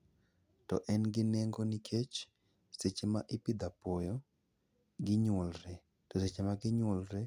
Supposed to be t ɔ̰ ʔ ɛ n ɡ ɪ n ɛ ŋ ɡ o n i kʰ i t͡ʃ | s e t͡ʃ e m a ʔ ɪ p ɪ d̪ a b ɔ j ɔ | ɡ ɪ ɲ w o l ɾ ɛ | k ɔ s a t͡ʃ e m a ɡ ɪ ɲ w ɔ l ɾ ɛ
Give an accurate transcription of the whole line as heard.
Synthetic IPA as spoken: t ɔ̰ ʔ ɛ n ɡ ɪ n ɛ ŋ ɡ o n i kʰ e t͡ʃ | s e t͡ʃ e m a ʔ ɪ p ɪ d̪ a p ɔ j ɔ | ɡ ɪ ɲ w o l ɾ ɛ | t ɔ s e t͡ʃ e m a ɡ ɪ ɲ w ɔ l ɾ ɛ